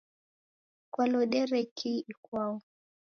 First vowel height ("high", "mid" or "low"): low